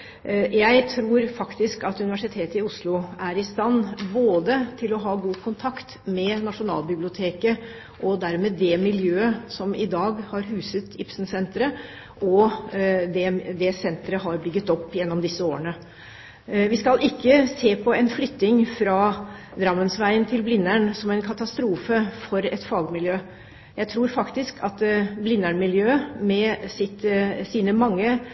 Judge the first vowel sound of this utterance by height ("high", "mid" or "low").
low